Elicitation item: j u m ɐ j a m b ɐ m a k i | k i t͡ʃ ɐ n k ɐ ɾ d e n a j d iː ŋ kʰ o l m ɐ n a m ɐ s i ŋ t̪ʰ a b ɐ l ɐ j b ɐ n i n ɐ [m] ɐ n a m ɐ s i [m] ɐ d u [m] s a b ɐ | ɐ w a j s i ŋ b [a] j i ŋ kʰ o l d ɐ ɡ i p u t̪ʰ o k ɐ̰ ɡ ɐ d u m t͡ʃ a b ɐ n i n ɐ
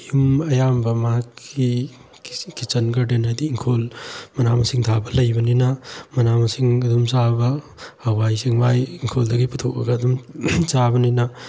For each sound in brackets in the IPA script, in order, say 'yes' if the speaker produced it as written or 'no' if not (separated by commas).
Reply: yes, no, yes, yes